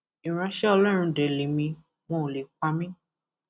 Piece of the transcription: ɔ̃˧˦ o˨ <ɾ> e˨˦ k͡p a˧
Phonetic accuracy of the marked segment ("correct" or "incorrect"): incorrect